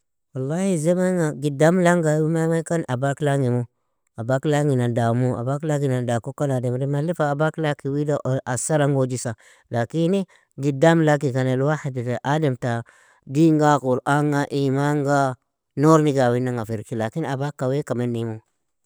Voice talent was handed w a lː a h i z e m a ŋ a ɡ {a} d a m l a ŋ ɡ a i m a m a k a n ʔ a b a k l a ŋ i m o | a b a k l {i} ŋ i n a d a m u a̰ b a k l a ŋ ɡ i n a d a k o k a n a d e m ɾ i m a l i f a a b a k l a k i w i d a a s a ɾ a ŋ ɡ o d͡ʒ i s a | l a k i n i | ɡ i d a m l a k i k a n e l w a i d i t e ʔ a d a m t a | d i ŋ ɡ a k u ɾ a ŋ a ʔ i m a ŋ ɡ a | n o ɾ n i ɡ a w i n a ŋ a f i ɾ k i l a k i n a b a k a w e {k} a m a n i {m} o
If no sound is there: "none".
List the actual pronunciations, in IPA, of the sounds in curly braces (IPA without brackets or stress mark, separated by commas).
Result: i, a, k, m